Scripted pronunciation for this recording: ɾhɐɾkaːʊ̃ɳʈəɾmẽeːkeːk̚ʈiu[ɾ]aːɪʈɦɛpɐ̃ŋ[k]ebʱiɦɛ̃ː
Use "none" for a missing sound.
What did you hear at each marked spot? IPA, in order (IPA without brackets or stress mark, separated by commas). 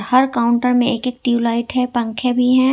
l, kʰ